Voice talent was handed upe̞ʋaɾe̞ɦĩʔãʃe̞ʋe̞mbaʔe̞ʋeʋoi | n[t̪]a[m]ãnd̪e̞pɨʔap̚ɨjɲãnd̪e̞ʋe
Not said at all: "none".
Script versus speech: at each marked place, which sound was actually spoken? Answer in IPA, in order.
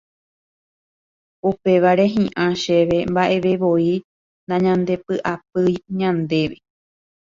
d̪, ɲ

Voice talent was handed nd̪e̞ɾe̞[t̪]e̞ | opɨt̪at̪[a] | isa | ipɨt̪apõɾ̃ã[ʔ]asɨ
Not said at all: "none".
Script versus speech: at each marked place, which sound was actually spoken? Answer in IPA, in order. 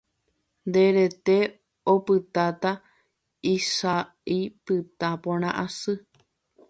t̪, a, ʔ

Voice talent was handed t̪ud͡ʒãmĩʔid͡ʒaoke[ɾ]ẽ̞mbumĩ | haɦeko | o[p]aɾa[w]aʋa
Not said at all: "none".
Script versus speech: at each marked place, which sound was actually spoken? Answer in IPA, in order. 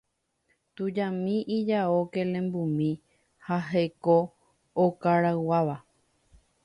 l, k, w

